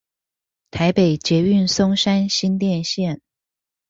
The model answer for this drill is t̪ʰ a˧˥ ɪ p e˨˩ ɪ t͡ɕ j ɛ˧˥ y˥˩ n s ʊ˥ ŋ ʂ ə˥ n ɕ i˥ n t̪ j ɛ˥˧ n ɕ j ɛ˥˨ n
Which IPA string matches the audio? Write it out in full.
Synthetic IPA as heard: t̪ʰ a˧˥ ɪ p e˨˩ ɪ t͡ɕ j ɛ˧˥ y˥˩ n s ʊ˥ ŋ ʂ a˥ n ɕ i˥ n t̪ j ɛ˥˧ n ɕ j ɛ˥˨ n